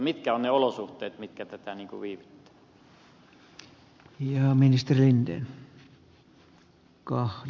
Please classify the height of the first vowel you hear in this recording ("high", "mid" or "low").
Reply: high